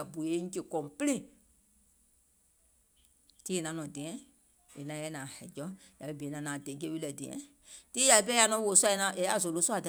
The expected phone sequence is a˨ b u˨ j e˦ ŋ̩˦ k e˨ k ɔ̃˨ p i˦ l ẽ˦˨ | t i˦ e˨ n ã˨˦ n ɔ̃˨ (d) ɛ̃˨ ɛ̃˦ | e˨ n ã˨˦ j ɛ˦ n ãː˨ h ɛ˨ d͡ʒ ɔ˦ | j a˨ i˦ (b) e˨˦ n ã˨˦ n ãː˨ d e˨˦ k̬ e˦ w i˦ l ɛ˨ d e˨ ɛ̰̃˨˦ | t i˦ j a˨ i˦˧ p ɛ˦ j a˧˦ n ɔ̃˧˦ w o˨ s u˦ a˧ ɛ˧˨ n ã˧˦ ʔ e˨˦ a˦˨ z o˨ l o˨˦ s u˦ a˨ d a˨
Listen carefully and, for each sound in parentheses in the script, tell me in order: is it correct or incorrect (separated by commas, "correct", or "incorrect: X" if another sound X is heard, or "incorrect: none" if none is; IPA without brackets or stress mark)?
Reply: correct, correct